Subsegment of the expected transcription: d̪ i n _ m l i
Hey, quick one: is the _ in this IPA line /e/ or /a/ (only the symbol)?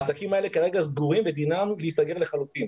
a